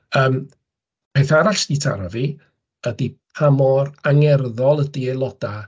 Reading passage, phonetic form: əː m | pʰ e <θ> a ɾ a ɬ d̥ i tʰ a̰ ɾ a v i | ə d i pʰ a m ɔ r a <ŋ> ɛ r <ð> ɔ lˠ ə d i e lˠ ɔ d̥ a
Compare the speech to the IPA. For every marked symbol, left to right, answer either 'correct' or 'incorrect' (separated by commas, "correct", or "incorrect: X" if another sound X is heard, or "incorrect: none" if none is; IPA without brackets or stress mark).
correct, correct, correct